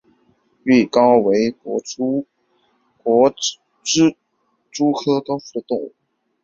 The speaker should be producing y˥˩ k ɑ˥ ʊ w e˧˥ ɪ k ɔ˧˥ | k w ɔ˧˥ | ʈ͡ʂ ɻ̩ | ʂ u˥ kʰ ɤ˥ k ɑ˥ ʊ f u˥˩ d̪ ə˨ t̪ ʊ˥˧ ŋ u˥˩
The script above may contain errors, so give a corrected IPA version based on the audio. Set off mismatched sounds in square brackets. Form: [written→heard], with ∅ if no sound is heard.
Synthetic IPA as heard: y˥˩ k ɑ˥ ʊ w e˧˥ ɪ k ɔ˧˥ | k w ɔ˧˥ | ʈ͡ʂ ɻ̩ | [ʂ→ʈ͡ʂ] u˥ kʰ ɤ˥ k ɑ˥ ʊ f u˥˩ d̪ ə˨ t̪ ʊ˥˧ ŋ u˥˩